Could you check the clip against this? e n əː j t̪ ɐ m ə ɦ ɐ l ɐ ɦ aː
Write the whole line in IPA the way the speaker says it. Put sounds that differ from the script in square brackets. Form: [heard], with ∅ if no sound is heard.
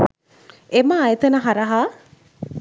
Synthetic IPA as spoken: e [m] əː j t̪ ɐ [n] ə ɦ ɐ [ɾ] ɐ ɦ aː